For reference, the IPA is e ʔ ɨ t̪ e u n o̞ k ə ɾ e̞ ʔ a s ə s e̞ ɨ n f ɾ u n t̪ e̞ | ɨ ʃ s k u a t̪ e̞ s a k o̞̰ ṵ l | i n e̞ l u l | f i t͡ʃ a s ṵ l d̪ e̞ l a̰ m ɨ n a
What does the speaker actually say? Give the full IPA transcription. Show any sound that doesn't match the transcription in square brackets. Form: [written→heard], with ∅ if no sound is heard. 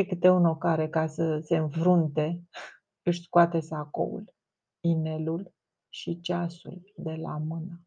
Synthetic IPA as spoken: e [ʔ→k] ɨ t̪ e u n o̞ k [ə→a] ɾ e̞ [ʔ→k] a s ə s e̞ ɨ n f ɾ u n t̪ e̞ | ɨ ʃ s k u a t̪ e̞ s a k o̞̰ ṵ l | i n e̞ l u l | [f→ʃ] i t͡ʃ a s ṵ l d̪ e̞ l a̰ m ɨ n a